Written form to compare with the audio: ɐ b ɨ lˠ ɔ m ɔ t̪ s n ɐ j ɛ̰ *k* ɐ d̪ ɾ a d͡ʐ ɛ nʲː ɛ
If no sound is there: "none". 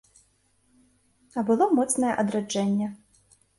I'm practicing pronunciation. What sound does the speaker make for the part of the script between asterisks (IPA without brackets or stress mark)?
ʔ